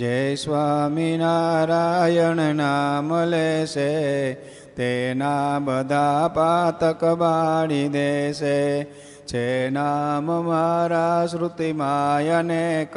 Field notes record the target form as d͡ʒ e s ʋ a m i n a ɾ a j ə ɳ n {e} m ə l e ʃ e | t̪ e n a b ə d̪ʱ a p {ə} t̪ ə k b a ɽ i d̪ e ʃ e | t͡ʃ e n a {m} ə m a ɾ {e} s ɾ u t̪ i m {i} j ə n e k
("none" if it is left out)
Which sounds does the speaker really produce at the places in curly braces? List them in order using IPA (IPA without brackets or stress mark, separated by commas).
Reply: a, a, m, a, a